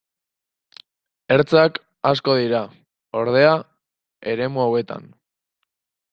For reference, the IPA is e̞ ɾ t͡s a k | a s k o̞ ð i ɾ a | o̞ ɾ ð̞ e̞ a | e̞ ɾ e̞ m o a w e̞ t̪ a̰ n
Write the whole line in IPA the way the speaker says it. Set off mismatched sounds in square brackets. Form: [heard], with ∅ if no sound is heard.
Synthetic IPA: e̞ ɾ t͡s a k | a s k o̞ ð i ɾ a | o̞ ɾ ð̞ e̞ a | e̞ ɾ e̞ m [u] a w e̞ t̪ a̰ n